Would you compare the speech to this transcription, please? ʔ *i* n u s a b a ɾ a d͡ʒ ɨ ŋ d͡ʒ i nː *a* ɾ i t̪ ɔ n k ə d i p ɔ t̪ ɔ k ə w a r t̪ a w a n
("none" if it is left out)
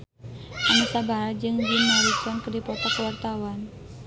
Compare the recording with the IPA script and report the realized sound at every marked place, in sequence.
a, a

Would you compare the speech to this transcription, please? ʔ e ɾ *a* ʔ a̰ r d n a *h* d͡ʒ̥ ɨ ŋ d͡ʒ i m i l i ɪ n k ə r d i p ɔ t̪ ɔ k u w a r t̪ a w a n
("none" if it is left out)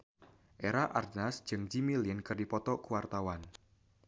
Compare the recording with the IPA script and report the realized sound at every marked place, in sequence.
a, s

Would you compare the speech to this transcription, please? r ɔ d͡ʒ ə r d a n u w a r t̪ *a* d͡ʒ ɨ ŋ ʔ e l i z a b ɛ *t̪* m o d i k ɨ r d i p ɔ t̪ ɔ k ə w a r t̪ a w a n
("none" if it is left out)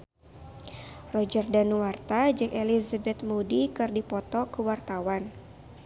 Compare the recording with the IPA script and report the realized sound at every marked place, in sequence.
a, t̪

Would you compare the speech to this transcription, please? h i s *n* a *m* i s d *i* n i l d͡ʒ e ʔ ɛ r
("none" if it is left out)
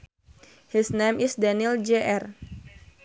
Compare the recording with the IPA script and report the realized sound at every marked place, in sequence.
n, m, a

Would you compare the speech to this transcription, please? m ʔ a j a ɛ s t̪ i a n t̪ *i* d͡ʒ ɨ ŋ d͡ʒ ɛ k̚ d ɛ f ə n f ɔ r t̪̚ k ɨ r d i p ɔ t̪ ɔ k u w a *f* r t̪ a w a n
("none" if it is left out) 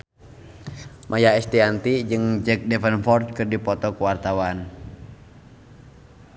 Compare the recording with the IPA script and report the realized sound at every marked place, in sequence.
i, none

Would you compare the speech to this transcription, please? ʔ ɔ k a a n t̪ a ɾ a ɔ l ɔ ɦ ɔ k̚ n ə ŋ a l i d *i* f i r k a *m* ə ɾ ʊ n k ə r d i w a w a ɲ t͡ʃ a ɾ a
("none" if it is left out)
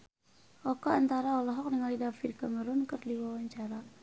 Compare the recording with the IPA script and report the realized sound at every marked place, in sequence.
a, m

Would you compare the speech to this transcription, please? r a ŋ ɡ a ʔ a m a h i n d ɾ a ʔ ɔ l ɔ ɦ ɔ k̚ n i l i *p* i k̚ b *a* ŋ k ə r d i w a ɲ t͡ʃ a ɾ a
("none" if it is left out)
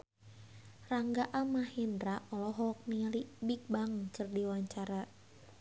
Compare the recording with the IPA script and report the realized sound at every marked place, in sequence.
b, a

